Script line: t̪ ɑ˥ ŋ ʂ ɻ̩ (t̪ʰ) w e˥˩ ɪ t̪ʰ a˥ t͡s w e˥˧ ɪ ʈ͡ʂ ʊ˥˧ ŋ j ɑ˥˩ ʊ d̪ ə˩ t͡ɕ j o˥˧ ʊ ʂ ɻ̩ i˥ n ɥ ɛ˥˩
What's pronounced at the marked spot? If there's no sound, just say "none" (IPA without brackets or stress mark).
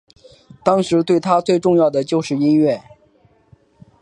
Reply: t̪